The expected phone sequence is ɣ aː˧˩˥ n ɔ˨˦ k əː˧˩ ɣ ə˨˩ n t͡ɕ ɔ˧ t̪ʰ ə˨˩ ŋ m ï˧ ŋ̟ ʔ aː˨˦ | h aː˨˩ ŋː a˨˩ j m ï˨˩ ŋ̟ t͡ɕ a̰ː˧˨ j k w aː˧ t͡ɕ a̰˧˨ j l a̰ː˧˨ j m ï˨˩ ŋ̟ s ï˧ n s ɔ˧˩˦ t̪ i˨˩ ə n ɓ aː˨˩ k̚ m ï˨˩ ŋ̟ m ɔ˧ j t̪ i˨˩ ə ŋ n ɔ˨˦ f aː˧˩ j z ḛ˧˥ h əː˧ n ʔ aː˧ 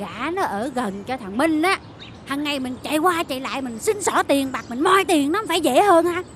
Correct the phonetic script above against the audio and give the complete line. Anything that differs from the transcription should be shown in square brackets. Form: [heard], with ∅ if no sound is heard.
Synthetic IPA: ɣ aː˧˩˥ n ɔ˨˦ [ʔ] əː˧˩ ɣ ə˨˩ n t͡ɕ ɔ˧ t̪ʰ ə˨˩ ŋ m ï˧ ŋ̟ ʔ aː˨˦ | h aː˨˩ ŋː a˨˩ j m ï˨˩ ŋ̟ t͡ɕ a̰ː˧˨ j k w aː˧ t͡ɕ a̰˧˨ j l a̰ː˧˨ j m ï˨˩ ŋ̟ s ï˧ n s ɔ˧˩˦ t̪ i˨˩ ə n ɓ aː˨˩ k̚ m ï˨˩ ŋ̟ m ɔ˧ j t̪ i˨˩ ə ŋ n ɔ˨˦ f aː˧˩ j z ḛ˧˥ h əː˧ n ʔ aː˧